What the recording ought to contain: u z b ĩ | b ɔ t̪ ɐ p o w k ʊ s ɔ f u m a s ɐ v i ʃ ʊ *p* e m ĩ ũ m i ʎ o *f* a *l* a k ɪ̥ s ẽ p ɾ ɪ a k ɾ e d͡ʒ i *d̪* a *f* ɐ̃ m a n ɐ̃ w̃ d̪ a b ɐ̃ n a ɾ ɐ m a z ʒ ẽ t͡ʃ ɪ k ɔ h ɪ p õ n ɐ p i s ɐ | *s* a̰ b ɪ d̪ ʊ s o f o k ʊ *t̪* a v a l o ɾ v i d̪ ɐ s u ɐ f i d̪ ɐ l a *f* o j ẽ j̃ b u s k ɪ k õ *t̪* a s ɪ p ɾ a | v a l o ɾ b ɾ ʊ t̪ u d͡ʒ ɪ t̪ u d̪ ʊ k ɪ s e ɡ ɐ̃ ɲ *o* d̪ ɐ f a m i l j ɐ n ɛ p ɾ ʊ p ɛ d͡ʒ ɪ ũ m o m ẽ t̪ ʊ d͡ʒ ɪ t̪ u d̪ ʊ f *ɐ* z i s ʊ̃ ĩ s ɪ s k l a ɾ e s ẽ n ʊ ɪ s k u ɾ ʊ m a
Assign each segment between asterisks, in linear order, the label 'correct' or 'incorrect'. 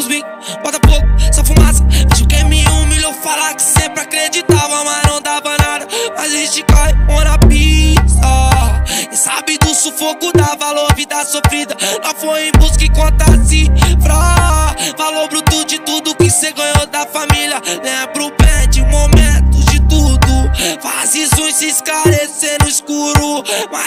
incorrect, correct, correct, incorrect, incorrect, correct, incorrect, correct, correct, correct, incorrect

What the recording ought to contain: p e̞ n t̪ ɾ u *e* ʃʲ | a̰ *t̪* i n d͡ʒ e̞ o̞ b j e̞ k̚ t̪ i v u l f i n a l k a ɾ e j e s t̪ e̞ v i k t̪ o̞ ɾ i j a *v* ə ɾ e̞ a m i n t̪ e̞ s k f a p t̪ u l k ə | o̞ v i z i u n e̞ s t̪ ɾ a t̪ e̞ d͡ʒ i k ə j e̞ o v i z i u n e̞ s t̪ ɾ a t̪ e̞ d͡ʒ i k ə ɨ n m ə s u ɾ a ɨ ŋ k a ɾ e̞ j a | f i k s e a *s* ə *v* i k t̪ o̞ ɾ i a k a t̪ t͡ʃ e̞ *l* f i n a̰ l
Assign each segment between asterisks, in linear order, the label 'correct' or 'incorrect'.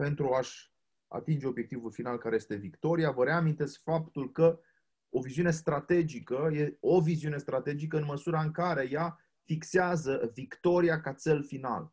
incorrect, correct, correct, incorrect, correct, correct

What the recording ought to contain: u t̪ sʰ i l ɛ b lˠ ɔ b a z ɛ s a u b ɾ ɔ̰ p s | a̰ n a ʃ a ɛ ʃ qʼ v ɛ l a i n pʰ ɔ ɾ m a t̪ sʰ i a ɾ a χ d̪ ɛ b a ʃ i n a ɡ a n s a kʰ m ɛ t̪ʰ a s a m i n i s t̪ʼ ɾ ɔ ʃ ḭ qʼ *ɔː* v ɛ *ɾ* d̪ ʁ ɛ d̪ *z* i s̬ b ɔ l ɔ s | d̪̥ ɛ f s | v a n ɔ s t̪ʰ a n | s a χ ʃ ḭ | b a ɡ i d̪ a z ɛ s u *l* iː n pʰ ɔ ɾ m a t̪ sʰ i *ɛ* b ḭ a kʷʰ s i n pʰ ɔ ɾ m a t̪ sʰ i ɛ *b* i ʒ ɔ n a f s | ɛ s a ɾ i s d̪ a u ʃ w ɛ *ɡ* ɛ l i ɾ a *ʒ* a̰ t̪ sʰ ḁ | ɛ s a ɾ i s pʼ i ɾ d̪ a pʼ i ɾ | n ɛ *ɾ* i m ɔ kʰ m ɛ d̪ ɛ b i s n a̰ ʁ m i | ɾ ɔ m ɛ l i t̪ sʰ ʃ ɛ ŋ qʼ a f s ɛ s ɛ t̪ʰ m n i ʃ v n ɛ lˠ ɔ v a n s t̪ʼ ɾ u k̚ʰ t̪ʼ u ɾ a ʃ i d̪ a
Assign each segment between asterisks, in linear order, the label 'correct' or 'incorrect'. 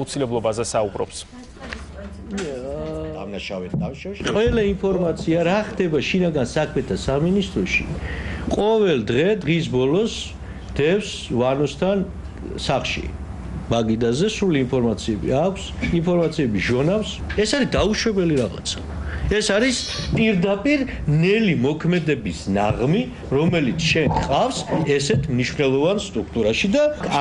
incorrect, incorrect, incorrect, correct, correct, correct, incorrect, incorrect, incorrect

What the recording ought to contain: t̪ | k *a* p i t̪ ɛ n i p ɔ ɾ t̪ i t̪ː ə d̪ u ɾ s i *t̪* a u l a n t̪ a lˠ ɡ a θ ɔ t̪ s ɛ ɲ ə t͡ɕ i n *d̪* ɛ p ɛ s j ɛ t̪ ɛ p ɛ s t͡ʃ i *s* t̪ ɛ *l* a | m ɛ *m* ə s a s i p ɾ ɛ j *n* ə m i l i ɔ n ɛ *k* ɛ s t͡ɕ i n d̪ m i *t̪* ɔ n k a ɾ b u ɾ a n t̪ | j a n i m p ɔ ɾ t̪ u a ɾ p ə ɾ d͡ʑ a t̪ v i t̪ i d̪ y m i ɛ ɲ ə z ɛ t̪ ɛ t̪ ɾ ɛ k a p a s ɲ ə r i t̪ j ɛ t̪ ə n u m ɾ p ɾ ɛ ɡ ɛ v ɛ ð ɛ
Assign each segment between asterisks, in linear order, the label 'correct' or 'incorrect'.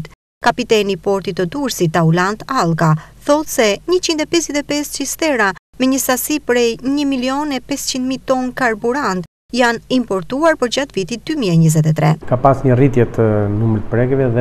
correct, correct, correct, correct, incorrect, incorrect, incorrect, incorrect, correct

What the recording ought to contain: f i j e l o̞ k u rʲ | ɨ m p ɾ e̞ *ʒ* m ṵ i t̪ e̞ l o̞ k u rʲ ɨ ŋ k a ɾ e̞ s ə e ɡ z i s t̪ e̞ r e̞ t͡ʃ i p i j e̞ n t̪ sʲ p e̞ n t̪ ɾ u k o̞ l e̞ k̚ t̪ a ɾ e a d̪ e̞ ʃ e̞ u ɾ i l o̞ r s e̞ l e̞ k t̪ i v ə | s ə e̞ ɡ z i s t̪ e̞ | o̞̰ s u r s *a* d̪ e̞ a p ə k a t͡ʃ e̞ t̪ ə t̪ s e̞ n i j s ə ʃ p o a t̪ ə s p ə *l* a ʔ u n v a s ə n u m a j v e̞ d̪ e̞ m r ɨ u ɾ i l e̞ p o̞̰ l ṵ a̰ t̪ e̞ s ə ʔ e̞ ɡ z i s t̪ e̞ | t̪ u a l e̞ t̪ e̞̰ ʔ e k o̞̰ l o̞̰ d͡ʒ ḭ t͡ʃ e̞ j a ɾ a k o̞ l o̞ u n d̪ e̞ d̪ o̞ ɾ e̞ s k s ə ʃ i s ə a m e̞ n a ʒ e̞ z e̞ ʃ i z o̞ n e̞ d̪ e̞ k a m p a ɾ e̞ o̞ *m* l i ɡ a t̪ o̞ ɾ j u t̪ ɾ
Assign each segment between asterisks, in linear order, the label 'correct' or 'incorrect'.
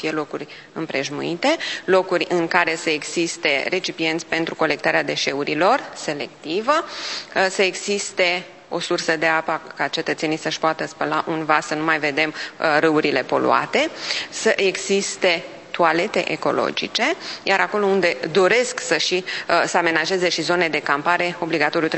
correct, incorrect, correct, incorrect

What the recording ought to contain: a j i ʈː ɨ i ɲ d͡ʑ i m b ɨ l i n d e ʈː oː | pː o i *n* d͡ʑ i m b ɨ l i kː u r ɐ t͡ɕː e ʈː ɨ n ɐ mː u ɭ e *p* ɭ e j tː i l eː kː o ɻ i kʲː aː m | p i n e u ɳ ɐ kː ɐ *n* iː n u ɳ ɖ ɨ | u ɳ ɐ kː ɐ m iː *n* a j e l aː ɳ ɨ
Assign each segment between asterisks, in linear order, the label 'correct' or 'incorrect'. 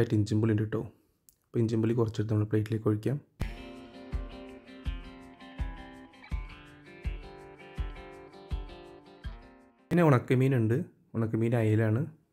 incorrect, correct, incorrect, correct

